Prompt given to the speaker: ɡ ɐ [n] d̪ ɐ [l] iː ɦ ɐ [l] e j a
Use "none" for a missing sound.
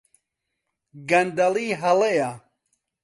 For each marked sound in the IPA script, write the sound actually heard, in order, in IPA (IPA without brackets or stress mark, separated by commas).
n, l, l